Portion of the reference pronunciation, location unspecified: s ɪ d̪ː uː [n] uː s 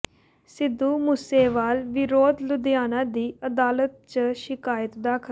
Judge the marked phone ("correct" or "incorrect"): incorrect